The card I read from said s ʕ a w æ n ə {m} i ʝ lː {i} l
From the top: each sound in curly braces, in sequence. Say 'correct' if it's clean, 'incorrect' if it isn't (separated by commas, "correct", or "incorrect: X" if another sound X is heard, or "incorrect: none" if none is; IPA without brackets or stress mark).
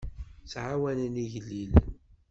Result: incorrect: n, correct